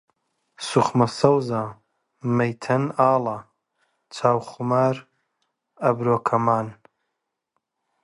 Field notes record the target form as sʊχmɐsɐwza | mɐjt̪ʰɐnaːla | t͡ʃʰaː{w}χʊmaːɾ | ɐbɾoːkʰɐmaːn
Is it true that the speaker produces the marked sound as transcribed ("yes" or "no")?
yes